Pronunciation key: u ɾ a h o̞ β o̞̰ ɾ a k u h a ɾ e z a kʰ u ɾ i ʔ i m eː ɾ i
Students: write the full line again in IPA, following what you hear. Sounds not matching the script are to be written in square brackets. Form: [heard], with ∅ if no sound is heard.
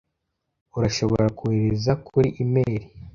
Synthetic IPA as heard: u ɾ a [ʃ] o̞ β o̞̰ ɾ a k u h [e] ɾ e z a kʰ u ɾ i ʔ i m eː ɾ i